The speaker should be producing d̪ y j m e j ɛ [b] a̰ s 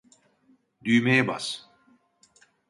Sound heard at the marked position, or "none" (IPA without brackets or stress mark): b